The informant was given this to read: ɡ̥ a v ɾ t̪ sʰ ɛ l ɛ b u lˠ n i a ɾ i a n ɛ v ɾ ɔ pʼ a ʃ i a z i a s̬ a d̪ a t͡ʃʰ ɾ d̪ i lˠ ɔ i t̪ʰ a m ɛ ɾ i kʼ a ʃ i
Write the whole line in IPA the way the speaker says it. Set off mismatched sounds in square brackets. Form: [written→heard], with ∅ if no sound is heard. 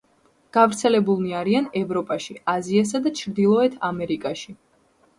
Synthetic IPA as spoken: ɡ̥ a v ɾ t̪ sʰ ɛ l ɛ b u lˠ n i a ɾ i a n ɛ v ɾ ɔ pʼ a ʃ i a z i a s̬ a d̪ a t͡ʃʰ ɾ d̪ i lˠ ɔ [i→ɛ] t̪ʰ a m ɛ ɾ i kʼ a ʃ i